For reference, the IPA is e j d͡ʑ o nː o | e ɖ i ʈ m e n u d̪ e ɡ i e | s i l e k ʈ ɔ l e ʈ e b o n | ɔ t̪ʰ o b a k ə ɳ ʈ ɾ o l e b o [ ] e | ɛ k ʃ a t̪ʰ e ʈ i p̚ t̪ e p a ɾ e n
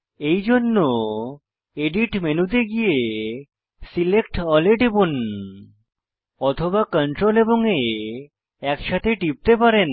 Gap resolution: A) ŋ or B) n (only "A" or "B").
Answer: A